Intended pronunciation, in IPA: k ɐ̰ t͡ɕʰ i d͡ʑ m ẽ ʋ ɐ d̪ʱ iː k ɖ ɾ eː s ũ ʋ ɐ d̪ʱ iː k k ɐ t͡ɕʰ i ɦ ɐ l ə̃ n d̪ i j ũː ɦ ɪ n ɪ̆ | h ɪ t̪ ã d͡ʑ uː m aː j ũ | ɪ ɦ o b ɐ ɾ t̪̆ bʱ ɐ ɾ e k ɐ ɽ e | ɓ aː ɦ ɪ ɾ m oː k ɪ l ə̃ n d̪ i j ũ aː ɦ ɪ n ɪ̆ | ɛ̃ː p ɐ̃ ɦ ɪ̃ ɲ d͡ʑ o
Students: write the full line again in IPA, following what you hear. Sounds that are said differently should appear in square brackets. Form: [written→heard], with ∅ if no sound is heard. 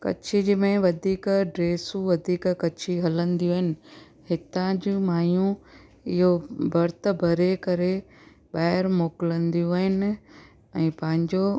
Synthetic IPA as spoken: k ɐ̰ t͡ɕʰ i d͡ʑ m ẽ ʋ ɐ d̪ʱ iː k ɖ ɾ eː s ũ ʋ ɐ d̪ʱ iː k k ɐ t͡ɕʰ i ɦ ɐ l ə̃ n d̪ i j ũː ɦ ɪ n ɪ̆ | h ɪ t̪ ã d͡ʑ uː m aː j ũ | ɪ ɦ o b ɐ ɾ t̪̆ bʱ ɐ ɾ e k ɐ [ɽ→ɾ] e | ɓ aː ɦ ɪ ɾ m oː k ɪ l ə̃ n d̪ i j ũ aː ɦ ɪ n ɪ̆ | ɛ̃ː p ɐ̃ ɦ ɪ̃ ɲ d͡ʑ o